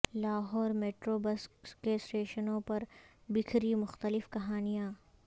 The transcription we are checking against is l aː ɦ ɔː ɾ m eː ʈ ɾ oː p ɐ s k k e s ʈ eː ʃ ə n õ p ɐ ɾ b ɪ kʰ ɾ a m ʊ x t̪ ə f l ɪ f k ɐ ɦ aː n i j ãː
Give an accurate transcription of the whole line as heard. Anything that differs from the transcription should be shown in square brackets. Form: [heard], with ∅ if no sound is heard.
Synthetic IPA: l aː ɦ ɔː ɾ m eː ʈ ɾ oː [b] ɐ s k k e s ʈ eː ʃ ə n õ p ɐ ɾ b ɪ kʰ ɾ [i] m ʊ x t̪ ə [∅] l ɪ f k ɐ ɦ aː n i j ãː